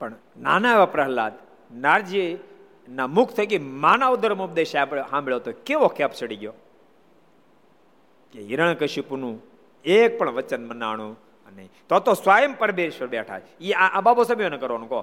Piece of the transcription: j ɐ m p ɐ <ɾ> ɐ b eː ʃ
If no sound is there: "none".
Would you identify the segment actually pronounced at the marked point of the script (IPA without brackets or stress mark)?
ɾ